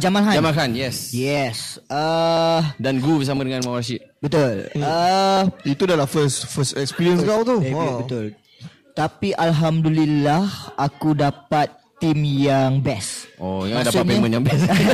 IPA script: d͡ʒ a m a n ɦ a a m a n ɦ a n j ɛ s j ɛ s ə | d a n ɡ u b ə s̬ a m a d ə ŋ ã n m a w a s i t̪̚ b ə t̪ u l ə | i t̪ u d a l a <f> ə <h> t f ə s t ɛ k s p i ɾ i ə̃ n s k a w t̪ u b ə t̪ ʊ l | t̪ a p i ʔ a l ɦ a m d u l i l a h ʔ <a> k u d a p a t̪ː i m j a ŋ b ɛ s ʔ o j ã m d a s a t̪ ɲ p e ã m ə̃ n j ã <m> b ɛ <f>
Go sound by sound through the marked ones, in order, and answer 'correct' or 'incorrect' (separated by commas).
correct, incorrect, correct, incorrect, incorrect